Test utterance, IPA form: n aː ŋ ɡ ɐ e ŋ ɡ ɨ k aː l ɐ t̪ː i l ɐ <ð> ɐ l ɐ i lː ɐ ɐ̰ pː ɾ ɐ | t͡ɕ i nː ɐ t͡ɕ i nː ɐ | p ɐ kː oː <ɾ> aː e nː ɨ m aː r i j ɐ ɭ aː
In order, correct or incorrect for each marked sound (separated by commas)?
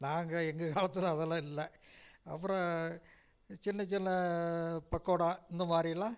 correct, incorrect